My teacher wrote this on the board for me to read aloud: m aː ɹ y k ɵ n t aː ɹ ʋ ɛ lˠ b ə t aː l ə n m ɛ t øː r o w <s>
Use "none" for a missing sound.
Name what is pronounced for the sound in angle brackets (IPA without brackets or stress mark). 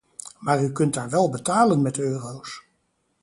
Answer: s